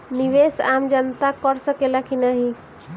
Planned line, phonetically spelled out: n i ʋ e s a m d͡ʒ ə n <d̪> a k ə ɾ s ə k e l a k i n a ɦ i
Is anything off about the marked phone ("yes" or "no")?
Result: yes